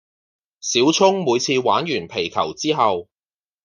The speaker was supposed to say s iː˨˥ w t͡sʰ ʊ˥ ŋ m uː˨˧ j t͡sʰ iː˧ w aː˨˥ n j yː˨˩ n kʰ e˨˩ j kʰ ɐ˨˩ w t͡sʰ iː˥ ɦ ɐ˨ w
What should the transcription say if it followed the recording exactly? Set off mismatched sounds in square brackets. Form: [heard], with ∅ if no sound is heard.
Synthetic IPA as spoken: s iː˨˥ w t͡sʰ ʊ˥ ŋ m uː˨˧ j t͡sʰ iː˧ w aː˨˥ n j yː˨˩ n [pʰ] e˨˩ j kʰ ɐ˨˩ w [t͡s] iː˥ ɦ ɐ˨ w